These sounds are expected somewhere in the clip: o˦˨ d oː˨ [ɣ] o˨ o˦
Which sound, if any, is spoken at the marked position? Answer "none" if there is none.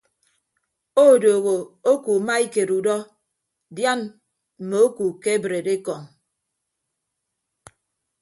ɣ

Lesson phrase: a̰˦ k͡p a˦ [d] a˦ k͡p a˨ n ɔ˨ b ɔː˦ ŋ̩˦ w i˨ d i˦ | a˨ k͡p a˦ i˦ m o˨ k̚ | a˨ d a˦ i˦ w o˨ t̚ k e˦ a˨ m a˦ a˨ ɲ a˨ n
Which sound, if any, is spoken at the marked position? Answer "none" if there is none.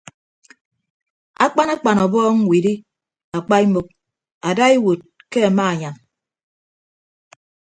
n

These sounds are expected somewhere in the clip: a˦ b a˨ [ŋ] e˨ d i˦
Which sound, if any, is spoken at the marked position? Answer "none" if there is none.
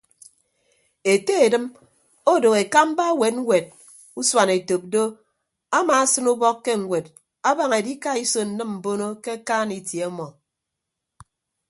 ŋ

